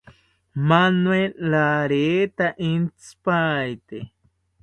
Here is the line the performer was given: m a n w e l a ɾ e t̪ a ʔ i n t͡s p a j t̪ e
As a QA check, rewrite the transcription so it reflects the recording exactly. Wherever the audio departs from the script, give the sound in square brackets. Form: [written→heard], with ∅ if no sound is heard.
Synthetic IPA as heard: m a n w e l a ɾ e t̪ a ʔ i n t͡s p a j t̪ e